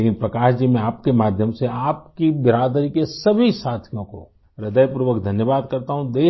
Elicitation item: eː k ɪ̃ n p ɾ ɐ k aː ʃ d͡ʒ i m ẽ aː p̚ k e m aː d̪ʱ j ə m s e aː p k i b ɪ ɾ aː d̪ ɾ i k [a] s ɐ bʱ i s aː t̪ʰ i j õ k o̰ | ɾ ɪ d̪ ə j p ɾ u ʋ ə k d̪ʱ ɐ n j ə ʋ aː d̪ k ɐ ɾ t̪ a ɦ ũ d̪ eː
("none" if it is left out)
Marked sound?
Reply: e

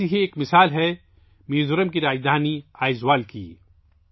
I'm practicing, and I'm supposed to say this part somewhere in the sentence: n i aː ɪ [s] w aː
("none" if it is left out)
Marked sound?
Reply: z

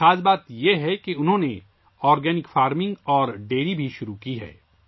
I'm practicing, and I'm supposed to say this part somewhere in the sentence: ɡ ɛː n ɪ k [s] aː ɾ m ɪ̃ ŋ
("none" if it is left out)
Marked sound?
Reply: f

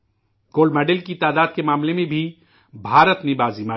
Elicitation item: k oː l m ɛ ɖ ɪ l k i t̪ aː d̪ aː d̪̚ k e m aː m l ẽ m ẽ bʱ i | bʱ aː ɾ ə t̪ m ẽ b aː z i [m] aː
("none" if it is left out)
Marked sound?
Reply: m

